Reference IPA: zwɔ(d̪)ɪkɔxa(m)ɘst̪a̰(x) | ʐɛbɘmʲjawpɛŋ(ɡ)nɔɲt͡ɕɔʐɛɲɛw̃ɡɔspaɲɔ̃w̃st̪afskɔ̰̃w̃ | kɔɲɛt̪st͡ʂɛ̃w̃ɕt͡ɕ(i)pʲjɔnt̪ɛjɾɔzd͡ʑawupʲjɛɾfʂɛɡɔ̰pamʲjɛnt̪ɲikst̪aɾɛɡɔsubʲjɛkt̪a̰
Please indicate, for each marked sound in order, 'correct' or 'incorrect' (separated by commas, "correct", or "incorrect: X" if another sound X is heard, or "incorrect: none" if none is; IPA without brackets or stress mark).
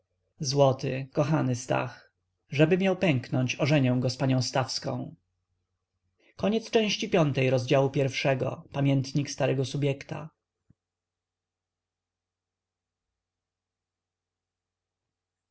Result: incorrect: t̪, incorrect: n, correct, incorrect: k, correct